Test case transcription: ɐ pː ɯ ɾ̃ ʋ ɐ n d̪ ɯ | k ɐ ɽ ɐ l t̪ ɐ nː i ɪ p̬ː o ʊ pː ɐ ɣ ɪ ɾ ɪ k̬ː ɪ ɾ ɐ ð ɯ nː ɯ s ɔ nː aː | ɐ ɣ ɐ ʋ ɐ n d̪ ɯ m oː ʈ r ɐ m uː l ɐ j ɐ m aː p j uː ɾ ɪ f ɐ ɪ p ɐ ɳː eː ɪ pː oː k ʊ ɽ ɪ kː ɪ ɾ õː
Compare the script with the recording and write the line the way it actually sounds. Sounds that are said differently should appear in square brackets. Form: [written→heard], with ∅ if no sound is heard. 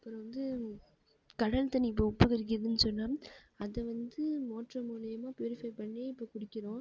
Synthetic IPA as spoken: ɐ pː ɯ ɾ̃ ʋ ɐ n d̪ ɯ | k ɐ ɽ ɐ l t̪ ɐ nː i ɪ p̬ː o ʊ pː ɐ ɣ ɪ ɾ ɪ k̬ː ɪ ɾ ɐ ð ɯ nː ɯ s ɔ nː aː | ɐ [ɣ→ð] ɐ ʋ ɐ n d̪ ɯ m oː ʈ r ɐ m uː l ɐ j ɐ m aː p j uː ɾ ɪ f ɐ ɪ p ɐ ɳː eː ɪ pː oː k ʊ ɽ ɪ kː ɪ ɾ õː